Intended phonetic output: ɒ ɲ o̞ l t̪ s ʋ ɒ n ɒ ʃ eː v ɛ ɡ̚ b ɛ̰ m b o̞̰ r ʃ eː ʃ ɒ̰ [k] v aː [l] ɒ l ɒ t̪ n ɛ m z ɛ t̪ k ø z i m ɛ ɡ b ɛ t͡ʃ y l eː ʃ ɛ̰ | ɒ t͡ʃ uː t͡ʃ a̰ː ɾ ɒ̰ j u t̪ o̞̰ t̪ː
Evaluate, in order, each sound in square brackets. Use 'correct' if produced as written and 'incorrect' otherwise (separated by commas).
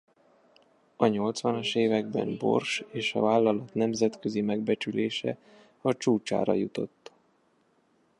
incorrect, incorrect